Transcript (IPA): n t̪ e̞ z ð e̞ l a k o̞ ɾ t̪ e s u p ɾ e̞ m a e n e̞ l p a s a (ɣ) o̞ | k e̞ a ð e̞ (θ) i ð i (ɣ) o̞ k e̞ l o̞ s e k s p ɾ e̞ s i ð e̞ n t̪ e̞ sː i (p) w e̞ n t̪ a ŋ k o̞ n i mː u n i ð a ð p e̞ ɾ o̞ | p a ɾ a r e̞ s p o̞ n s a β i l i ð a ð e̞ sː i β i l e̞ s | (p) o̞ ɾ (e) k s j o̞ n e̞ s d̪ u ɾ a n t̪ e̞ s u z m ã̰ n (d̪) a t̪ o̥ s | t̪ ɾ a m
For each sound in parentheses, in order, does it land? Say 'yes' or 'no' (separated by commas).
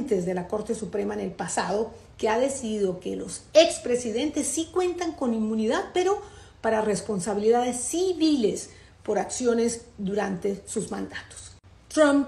no, no, no, no, yes, no, yes